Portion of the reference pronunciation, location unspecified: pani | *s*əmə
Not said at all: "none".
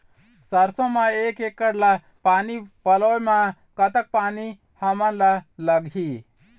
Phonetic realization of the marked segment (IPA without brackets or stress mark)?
h